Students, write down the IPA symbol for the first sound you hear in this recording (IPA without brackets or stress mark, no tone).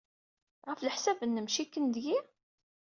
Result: ʁ